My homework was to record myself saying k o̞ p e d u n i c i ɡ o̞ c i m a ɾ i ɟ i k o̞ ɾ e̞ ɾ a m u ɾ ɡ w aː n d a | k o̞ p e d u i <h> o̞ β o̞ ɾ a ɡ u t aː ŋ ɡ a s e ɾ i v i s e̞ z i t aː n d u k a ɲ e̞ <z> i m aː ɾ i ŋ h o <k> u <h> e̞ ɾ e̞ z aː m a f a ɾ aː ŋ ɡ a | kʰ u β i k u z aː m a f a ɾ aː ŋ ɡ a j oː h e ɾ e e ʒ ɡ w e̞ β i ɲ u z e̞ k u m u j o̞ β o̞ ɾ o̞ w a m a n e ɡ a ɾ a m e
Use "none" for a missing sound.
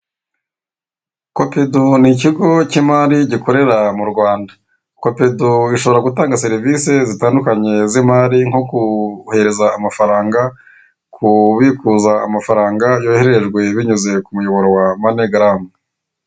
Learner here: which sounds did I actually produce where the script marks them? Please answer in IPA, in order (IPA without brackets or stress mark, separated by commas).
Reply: ʃ, z, k, h